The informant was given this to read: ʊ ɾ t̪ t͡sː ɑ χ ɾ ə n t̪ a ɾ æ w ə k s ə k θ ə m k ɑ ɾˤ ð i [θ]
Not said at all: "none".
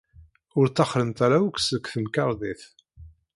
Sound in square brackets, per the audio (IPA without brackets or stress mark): θ